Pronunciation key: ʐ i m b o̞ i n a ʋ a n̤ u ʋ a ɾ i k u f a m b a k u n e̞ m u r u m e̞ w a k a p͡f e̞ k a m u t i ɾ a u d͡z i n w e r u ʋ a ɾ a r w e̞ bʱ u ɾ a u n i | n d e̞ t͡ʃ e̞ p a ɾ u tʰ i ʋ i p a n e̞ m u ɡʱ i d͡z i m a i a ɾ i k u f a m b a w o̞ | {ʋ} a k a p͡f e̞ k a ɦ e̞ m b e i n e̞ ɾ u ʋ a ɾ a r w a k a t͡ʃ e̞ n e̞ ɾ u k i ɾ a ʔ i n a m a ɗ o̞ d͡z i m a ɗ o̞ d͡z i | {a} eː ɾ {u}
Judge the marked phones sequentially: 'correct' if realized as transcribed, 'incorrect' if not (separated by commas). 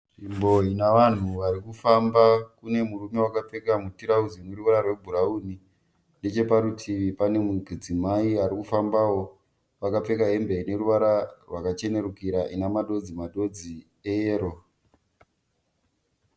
correct, incorrect, incorrect